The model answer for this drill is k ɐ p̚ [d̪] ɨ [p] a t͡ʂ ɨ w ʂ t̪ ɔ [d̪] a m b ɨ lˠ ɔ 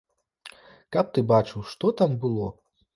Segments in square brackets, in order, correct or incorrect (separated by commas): incorrect, incorrect, incorrect